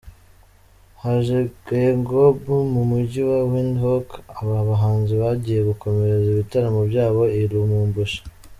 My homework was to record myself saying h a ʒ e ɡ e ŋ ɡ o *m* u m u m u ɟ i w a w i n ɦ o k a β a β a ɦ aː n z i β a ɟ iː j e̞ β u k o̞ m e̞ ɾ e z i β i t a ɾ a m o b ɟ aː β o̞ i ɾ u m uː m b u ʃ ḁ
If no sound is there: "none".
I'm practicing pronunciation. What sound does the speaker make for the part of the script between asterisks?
b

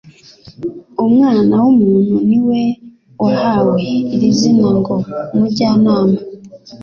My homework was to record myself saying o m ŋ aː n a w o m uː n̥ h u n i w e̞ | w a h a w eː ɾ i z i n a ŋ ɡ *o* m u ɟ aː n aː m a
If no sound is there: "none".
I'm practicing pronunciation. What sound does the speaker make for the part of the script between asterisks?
o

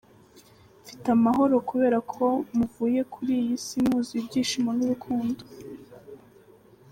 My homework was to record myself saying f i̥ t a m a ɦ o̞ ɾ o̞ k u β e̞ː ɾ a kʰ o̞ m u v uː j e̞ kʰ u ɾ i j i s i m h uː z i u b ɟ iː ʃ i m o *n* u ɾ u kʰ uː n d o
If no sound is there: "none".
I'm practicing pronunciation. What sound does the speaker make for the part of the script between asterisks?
n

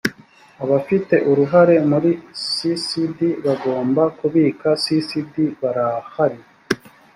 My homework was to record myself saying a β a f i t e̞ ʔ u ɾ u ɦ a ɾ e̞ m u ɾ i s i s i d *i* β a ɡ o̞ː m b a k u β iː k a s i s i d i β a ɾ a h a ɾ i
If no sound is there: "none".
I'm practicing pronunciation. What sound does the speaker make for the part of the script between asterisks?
i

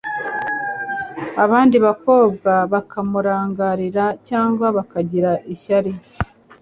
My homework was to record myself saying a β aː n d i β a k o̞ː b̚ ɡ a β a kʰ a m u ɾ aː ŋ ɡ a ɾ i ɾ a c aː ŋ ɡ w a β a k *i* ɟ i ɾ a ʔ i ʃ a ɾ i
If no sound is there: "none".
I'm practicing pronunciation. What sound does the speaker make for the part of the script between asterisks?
a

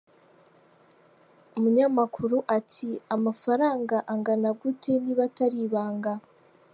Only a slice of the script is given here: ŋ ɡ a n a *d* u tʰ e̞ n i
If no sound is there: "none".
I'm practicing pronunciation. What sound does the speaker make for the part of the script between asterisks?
ɡ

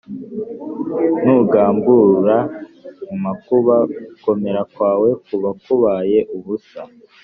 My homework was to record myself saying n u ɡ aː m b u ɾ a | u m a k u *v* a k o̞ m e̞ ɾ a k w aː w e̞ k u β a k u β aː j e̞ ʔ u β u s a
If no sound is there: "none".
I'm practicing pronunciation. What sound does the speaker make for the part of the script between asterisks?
β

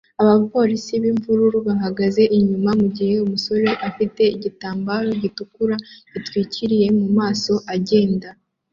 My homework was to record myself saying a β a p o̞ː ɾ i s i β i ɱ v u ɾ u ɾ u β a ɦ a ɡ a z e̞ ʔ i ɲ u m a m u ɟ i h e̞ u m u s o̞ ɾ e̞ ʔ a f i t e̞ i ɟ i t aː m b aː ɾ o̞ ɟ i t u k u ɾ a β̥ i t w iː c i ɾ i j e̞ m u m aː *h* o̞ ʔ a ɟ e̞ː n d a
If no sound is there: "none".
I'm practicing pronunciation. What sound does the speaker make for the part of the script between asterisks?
s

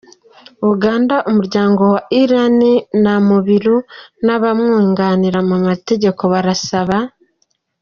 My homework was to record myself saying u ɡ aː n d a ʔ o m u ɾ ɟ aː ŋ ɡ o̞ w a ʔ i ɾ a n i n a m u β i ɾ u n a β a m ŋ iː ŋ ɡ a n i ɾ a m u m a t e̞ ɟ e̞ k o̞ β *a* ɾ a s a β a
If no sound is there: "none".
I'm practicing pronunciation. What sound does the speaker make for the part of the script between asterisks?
a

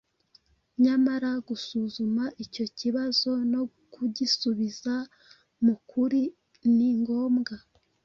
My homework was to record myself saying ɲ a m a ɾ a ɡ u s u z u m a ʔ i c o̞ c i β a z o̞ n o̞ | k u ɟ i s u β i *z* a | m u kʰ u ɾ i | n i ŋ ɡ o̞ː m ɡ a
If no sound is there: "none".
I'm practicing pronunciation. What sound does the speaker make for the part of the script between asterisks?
z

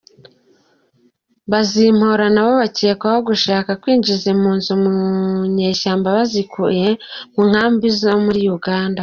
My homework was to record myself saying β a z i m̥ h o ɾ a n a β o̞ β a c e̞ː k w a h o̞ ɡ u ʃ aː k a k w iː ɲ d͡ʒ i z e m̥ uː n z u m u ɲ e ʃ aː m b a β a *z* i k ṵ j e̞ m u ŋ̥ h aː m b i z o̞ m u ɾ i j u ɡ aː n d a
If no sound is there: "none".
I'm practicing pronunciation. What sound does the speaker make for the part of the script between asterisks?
z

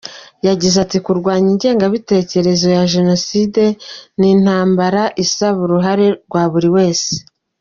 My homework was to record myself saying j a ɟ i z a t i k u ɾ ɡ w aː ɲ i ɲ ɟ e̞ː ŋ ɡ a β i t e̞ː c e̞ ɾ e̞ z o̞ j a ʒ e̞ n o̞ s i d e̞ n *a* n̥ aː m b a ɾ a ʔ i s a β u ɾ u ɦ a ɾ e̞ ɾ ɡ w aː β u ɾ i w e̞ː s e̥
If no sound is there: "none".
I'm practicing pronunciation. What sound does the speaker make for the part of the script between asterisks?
i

